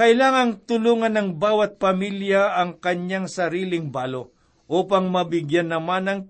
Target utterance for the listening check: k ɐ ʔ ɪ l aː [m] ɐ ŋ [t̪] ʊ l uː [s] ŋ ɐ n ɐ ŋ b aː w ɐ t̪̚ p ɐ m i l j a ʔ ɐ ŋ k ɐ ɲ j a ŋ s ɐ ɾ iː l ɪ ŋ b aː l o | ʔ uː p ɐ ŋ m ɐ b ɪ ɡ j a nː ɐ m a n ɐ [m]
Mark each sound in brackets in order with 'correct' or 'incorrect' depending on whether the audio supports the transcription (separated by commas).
incorrect, correct, incorrect, incorrect